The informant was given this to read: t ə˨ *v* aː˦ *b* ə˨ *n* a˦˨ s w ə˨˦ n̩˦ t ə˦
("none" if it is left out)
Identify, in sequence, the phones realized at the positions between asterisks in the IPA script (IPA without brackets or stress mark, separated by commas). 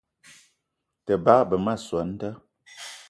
b, b, m